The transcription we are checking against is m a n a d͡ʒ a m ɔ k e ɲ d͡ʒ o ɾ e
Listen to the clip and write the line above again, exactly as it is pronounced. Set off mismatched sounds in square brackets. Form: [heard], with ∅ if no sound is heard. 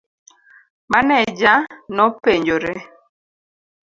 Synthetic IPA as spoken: m a n [ɛ] d͡ʒ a [n] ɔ [p] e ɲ d͡ʒ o ɾ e

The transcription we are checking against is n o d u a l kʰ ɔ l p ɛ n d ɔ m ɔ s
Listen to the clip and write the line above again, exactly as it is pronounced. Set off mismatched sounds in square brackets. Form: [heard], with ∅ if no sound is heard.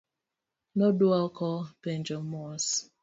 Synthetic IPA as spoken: n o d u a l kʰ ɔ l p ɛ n [d͡ʒ] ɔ m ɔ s

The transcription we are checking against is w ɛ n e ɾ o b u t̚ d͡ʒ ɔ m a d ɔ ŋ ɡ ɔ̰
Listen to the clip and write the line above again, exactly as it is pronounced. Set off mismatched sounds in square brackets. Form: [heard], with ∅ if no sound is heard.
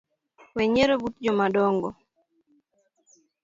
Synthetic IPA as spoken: w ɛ [ɲ] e ɾ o b u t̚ d͡ʒ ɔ m a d ɔ ŋ ɡ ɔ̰

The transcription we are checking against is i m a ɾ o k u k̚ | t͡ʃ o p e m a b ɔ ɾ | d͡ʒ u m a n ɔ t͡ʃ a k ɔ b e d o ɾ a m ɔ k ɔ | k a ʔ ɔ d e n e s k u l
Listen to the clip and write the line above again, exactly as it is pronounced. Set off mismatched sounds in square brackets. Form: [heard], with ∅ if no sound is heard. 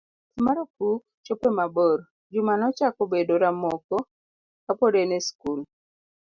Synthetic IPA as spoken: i m a ɾ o k u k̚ | t͡ʃ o p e m a b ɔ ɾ | d͡ʒ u m a n ɔ t͡ʃ a k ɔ b e d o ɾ a m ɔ k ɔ | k a [p] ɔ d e n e s k u l

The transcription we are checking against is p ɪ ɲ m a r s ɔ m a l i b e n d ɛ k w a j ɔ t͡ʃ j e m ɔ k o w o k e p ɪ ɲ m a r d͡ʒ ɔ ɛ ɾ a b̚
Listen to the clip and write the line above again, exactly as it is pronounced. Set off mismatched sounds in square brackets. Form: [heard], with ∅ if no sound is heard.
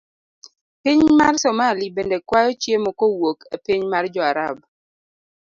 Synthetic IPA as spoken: p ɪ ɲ m a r s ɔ m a l i b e n d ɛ k w a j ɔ t͡ʃ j e m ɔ k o w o k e p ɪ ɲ m a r d͡ʒ ɔ [a] ɾ a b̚

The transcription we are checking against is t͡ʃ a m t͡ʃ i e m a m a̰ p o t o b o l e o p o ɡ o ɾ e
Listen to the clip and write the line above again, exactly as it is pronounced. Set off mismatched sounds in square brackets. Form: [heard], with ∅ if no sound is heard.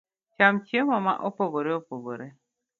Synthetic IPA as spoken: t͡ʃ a m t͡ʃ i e m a m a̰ [ʔ] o [p] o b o [ɾ] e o p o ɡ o ɾ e

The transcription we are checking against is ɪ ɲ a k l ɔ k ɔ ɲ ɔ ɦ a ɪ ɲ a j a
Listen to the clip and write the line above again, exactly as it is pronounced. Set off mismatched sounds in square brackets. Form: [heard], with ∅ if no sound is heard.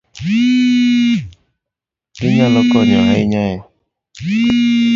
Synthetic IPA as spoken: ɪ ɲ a [∅] l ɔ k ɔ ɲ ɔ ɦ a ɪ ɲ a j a

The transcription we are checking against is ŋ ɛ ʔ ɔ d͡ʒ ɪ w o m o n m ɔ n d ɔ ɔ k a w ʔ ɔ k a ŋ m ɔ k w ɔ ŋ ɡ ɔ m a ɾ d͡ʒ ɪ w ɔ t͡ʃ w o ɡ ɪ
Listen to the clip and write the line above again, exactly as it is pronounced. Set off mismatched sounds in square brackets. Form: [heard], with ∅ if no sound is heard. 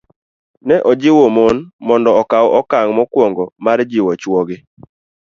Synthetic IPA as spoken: [n] ɛ ʔ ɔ d͡ʒ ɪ w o m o n m ɔ n d ɔ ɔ k a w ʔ ɔ k a ŋ m ɔ k w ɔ ŋ ɡ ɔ m a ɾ d͡ʒ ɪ w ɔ t͡ʃ w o ɡ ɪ

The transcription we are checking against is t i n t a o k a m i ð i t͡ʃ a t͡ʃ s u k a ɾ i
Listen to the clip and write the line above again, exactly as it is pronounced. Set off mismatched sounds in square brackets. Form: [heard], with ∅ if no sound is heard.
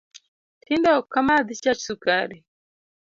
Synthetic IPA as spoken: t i n [d] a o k a m [a] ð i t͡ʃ a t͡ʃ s u k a ɾ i

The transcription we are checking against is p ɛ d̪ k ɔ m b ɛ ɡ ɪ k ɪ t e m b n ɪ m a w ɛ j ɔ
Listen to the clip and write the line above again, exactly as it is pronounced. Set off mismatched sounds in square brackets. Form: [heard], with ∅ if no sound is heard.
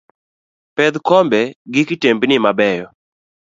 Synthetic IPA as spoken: p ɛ d̪ k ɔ m b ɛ ɡ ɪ k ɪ t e m b n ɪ m a [b] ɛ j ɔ

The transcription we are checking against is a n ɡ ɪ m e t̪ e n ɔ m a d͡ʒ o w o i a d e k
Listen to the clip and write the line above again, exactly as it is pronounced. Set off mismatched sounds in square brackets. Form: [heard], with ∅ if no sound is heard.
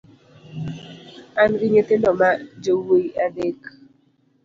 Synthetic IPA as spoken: a n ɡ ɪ [ɲ] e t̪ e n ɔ m a d͡ʒ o w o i a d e k

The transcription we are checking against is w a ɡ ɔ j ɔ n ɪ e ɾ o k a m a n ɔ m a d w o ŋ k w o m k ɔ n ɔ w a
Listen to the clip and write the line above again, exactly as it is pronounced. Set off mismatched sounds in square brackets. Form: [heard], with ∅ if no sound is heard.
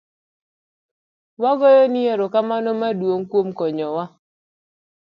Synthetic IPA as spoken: w a ɡ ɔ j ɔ n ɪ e ɾ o k a m a n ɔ m a d w o ŋ k w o m k ɔ [ɲ] ɔ w a

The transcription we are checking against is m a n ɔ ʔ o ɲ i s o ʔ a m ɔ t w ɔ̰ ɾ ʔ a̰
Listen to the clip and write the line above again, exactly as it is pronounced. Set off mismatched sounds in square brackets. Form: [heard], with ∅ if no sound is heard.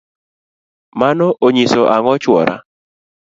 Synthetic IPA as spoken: m a n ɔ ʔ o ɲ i s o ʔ a [ŋ] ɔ [t͡ʃ] w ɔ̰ ɾ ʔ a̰

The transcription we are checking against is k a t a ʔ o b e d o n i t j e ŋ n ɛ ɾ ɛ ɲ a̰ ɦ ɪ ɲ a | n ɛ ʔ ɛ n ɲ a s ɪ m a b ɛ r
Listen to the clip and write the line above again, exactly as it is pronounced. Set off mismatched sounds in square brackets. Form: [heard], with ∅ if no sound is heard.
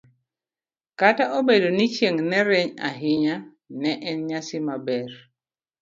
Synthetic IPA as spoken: k a t a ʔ o b e d o n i [t͡ʃ] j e ŋ n ɛ ɾ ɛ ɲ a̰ ɦ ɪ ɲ a | n ɛ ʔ ɛ n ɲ a s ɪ m a b ɛ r

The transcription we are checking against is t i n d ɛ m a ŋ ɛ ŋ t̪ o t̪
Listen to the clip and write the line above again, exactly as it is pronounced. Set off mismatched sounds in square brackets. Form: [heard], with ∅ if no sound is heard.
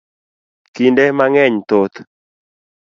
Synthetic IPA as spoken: [k] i n d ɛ m a ŋ ɛ [ɲ] t̪ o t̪

